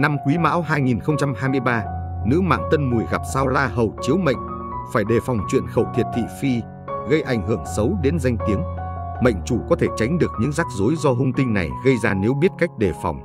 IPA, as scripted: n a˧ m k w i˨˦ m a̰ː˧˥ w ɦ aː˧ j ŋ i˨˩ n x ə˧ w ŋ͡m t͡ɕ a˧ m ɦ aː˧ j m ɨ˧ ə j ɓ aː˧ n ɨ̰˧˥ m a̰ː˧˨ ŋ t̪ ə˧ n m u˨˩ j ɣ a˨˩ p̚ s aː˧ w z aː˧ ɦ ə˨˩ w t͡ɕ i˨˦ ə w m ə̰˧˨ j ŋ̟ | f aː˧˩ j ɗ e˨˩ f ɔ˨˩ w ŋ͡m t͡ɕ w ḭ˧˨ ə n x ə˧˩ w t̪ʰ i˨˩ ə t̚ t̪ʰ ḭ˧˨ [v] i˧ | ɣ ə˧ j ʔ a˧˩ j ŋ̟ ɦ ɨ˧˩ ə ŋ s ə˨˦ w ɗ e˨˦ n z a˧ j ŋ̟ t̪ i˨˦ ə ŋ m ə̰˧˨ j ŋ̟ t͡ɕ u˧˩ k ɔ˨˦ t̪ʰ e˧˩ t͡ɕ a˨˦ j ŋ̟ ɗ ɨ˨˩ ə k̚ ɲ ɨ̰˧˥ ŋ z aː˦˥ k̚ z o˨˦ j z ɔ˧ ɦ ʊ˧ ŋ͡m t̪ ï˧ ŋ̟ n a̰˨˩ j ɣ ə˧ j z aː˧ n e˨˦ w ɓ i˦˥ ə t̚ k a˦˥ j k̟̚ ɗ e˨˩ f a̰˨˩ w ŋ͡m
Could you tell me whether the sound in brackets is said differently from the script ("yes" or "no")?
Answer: yes